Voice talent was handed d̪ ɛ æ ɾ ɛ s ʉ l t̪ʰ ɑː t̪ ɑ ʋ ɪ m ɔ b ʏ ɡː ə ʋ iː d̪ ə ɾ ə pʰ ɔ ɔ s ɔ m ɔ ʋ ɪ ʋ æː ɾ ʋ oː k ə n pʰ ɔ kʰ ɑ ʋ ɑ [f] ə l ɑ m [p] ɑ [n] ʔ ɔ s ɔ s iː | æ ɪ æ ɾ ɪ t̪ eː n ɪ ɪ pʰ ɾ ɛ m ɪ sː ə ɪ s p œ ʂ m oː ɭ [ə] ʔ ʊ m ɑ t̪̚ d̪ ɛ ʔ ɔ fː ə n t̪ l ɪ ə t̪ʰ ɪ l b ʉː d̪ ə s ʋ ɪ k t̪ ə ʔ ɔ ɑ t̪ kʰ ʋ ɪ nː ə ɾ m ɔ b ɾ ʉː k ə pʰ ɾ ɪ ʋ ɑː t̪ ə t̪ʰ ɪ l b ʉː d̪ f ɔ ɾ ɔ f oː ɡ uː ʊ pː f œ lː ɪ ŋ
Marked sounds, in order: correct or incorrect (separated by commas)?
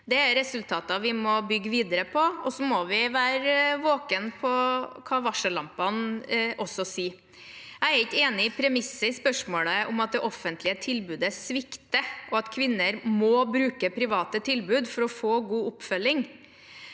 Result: incorrect, correct, correct, correct